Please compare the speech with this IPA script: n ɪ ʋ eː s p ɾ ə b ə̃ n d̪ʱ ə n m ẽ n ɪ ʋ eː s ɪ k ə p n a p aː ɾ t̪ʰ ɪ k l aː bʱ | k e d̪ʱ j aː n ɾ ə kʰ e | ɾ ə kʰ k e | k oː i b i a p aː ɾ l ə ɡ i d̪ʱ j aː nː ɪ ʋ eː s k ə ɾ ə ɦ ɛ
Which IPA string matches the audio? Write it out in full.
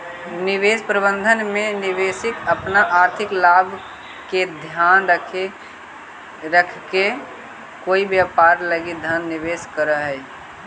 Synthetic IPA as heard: n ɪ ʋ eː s p ɾ ə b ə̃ n d̪ʱ ə n m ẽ n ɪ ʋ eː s ɪ k ə p n a ʔ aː ɾ t̪ʰ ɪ k l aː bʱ | k e d̪ʱ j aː n ɾ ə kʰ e | ɾ ə kʰ k e | k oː i b j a p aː ɾ l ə ɡ i d̪ʱ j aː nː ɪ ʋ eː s k ə ɾ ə ɦ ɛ